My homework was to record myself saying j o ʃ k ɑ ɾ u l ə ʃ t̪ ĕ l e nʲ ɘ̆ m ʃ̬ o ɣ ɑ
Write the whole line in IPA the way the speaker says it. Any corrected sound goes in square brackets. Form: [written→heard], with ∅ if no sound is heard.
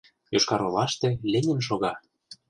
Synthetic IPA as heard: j o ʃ k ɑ ɾ [u→o] l [ə→ɑ] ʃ t̪ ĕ l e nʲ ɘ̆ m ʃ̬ o ɣ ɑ